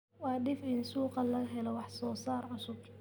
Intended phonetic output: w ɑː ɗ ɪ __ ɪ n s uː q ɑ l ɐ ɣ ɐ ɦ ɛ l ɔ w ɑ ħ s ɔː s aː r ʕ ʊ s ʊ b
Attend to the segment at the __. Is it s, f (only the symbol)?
f